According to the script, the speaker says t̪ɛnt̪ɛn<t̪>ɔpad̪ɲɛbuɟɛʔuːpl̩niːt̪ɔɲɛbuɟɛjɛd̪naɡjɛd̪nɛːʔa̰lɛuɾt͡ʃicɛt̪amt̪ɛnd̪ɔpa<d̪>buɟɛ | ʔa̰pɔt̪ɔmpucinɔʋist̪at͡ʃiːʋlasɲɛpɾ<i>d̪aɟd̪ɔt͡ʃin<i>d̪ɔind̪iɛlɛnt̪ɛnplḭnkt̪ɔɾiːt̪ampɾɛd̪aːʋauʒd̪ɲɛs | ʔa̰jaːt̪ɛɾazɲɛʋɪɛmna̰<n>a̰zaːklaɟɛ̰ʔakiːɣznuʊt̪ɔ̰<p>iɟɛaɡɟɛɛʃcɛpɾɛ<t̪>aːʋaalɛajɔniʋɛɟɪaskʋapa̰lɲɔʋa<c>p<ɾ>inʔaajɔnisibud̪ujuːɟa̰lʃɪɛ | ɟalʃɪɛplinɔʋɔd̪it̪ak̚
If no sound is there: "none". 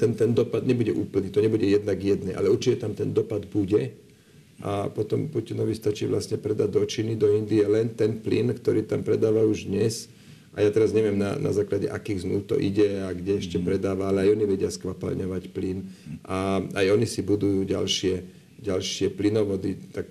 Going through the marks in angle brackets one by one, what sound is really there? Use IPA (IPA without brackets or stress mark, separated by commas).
d̪, d̪, ɛ, i, n, ʔ, d̪, c, l